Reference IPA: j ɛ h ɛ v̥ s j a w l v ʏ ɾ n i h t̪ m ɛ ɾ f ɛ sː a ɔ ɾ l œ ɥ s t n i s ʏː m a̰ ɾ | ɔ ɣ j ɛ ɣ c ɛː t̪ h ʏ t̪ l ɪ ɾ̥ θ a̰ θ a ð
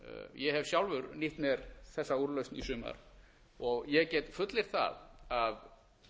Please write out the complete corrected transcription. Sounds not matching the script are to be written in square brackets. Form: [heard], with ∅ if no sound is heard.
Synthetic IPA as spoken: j ɛ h ɛ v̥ s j a w l v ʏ ɾ n i h t̪ m ɛ ɾ [θ] ɛ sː a [u] ɾ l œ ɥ s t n i s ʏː m a̰ ɾ | ɔ ɣ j ɛ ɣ c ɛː t̪ [f] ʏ t̪ l ɪ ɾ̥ θ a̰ [ð] a ð